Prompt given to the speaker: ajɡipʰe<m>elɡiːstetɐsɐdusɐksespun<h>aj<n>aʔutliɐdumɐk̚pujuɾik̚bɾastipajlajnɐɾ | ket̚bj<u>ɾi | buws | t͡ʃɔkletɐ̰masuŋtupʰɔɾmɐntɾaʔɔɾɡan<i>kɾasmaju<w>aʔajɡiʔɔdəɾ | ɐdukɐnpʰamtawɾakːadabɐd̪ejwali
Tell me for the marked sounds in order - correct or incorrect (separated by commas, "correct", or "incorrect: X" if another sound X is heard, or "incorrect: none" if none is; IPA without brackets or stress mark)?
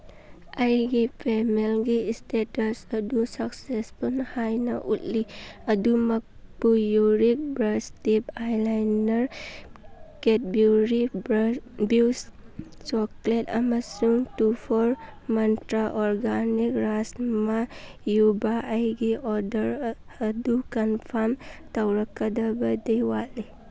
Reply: correct, correct, correct, correct, correct, incorrect: b